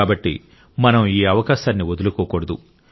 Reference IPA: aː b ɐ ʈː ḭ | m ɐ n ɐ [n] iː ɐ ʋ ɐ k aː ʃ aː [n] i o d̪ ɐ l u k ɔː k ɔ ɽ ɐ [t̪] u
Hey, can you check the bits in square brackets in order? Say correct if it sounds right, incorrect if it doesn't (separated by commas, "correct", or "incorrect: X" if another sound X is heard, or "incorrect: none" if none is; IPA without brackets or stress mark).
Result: incorrect: m, incorrect: nː, incorrect: d̪